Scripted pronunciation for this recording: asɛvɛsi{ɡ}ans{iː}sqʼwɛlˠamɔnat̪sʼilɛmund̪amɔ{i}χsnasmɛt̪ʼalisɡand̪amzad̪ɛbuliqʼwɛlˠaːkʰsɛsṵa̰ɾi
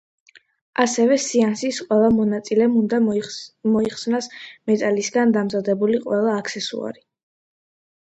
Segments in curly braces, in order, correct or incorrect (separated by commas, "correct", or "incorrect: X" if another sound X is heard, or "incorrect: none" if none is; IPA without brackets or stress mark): incorrect: none, incorrect: i, correct